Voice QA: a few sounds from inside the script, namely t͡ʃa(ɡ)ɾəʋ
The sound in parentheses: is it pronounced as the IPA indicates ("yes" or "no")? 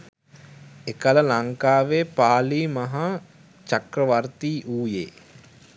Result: no